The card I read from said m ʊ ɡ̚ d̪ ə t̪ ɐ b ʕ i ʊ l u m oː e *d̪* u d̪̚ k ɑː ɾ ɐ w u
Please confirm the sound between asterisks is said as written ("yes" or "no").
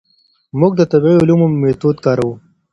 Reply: no